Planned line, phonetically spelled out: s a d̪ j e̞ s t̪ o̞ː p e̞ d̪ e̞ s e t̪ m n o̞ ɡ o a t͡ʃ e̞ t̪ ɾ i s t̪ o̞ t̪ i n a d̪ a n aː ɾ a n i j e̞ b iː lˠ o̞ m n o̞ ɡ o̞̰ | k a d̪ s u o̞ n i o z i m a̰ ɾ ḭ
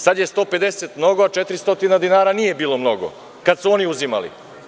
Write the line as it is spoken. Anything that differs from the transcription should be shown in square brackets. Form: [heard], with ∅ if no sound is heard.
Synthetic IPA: s a d̪ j e̞ s t̪ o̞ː p e̞ d̪ e̞ s e t̪ m n o̞ ɡ o a t͡ʃ e̞ t̪ ɾ i s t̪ o̞ t̪ i n a d̪ [i] n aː ɾ a n i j e̞ b iː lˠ o̞ m n o̞ ɡ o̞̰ | k a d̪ s u o̞ n i [u] z i m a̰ [l] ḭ